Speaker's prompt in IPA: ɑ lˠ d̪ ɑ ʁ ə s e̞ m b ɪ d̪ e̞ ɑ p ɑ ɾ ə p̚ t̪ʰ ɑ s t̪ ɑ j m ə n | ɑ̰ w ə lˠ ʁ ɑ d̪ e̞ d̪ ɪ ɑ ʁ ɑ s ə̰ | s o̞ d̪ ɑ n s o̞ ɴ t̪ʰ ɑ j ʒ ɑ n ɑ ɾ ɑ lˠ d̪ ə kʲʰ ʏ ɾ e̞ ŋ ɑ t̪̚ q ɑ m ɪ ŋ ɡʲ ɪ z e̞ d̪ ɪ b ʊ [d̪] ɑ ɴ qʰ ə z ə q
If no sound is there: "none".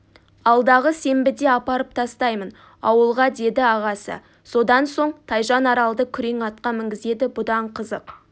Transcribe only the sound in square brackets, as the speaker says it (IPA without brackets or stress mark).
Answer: d̪